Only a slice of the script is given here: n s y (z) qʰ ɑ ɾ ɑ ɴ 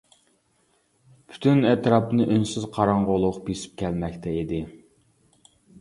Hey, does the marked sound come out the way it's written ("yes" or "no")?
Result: yes